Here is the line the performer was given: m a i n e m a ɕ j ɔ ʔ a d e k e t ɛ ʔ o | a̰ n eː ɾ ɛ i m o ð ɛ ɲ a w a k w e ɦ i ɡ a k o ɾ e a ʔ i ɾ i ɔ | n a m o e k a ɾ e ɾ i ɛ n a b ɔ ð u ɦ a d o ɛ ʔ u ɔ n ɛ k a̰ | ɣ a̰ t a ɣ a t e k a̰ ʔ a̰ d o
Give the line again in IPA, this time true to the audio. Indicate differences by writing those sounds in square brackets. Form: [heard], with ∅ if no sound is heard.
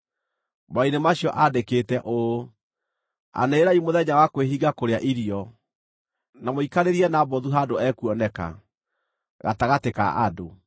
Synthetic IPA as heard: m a i n e m a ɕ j ɔ ʔ a d e k e t ɛ ʔ o | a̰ n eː ɾ [a] i m o ð ɛ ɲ a w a k w e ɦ i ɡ a k o ɾ e a ʔ i ɾ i ɔ | n a m o [i] k a ɾ e ɾ i ɛ n a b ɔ ð u ɦ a d o ɛ [k] u ɔ n ɛ k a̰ | ɣ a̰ t a ɣ a t e k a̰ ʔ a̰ d o